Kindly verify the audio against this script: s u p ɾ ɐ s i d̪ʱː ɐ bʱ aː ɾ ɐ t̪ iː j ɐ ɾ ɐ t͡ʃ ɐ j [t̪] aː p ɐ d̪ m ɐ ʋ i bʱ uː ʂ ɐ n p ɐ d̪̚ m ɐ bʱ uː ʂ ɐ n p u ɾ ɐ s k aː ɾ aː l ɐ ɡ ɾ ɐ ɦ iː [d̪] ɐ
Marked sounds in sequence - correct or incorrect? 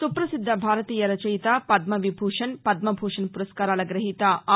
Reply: correct, incorrect: t̪

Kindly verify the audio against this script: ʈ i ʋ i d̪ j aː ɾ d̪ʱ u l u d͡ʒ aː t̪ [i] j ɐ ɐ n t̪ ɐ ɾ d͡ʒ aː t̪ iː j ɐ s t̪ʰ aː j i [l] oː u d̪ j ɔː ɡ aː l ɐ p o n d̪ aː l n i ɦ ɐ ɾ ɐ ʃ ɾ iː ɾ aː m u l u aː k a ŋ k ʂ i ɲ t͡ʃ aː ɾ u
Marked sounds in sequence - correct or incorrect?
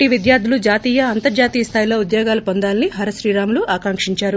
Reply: incorrect: iː, correct

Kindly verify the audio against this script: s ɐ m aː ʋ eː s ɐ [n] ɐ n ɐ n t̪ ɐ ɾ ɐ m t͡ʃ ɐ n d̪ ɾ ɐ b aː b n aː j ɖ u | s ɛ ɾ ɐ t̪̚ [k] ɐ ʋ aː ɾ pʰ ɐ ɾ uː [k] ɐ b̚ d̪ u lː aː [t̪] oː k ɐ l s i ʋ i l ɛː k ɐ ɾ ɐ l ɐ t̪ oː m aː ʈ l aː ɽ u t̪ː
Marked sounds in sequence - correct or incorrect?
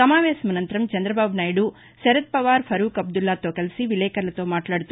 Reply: incorrect: m, incorrect: p, correct, correct

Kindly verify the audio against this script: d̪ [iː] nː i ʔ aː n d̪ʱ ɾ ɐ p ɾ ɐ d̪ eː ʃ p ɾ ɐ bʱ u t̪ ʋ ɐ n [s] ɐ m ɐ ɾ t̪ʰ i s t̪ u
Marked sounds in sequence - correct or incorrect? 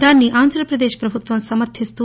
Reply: incorrect: aː, correct

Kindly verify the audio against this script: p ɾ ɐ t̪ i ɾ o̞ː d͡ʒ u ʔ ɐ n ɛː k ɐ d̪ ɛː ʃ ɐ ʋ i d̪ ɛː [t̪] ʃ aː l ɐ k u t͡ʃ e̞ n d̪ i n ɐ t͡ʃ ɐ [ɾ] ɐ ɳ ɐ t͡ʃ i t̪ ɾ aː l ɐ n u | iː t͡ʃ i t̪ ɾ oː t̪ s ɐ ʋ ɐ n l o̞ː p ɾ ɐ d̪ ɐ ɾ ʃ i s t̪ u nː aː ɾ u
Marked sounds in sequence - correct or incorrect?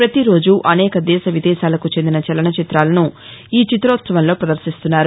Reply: incorrect: none, incorrect: l

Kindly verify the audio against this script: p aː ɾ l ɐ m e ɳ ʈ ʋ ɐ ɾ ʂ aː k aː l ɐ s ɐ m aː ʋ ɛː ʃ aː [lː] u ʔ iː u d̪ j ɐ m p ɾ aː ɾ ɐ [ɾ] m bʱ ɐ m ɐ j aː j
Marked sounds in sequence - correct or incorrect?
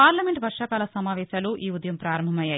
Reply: incorrect: l, incorrect: none

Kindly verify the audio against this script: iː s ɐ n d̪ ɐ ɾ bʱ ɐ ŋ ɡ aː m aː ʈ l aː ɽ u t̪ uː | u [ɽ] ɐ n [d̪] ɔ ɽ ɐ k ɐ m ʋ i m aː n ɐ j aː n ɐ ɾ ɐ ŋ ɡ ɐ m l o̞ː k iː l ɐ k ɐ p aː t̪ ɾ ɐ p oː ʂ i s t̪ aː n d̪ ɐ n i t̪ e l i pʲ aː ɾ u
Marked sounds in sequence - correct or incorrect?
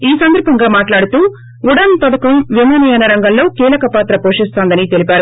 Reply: correct, incorrect: t̪

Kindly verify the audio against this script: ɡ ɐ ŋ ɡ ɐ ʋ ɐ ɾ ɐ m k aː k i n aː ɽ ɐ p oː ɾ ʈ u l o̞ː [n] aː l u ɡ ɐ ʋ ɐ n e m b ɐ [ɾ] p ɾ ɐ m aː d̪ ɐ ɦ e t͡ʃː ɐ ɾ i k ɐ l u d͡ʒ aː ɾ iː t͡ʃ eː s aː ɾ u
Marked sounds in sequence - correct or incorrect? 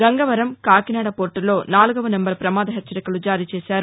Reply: correct, correct

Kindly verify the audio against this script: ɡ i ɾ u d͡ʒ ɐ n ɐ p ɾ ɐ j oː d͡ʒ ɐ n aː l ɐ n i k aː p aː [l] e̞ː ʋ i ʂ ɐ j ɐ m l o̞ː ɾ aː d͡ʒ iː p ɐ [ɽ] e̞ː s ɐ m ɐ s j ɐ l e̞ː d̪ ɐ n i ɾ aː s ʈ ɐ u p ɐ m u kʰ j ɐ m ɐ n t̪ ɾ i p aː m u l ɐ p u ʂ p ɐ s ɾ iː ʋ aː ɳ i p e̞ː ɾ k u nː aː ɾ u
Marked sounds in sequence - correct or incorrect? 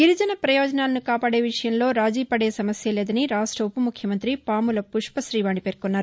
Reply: incorrect: ɽ, correct

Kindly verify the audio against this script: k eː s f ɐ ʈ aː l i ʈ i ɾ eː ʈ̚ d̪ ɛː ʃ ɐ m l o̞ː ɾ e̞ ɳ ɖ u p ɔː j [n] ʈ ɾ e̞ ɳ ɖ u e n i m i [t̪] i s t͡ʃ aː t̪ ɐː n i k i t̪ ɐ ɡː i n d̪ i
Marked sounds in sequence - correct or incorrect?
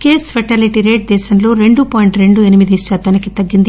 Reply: incorrect: ɳ, incorrect: d̪

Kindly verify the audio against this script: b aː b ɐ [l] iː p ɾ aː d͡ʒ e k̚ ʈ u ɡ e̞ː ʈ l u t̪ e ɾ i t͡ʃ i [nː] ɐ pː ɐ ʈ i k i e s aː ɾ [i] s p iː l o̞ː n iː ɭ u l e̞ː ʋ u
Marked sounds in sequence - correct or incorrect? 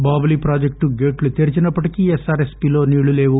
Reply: correct, incorrect: n, incorrect: e

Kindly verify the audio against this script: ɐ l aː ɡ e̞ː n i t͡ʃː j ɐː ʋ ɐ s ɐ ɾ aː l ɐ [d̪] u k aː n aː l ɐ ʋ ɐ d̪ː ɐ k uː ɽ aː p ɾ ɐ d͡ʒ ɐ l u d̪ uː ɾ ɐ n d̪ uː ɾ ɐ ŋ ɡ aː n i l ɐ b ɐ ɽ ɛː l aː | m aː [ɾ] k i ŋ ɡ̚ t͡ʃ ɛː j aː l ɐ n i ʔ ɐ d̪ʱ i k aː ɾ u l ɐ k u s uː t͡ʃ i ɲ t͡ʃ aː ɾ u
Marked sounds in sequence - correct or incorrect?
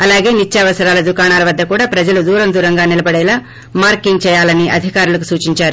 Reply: correct, correct

